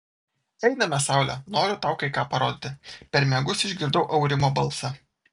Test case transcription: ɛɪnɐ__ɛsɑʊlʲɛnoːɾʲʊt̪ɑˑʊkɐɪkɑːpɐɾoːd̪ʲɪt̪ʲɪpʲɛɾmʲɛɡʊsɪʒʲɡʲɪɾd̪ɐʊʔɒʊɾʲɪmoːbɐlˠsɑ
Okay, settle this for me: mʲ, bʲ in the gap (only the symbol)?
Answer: mʲ